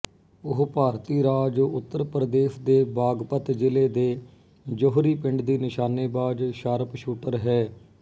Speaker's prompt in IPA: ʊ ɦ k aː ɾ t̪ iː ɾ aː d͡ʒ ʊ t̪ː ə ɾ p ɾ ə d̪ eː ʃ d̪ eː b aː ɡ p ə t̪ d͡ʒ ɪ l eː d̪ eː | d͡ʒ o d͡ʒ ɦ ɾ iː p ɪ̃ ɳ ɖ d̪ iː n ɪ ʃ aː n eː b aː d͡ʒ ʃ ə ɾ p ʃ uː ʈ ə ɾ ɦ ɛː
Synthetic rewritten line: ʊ ɦ p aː ɾ t̪ iː ɾ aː d͡ʒ ʊ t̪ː ə ɾ p ɾ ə d̪ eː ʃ d̪ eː b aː ɡ p ə t̪ d͡ʒ ɪ l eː d̪ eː | d͡ʒ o ɦ ɾ iː p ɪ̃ ɳ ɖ d̪ iː n ɪ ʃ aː n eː b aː d͡ʒ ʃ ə ɾ p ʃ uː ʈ ə ɾ ɦ ɛː